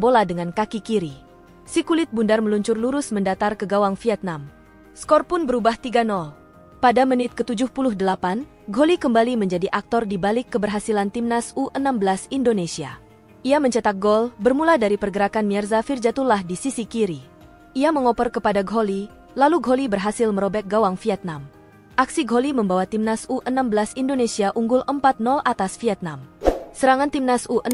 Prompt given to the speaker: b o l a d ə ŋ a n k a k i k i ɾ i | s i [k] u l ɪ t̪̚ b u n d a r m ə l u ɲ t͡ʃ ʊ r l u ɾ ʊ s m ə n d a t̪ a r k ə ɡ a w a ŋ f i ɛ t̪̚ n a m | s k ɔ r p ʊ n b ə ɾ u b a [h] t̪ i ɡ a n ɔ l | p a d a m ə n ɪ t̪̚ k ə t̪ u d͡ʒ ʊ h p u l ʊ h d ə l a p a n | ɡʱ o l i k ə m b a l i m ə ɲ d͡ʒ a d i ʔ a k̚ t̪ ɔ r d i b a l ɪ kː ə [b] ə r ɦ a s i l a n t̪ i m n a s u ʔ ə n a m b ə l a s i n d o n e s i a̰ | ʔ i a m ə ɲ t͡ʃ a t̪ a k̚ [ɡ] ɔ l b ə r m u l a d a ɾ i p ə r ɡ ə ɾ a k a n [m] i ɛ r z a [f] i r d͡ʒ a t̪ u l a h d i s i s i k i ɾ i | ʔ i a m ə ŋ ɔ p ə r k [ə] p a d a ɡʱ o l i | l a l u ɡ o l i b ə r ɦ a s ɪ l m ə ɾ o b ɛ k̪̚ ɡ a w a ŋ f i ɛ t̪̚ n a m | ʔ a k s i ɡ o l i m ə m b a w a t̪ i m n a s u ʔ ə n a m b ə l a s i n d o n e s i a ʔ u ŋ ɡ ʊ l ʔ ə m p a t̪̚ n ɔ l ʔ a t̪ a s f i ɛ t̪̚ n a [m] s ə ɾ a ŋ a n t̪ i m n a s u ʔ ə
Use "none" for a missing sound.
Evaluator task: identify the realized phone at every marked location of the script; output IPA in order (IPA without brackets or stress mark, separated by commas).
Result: k, h, b, ɡ, m, f, ə, m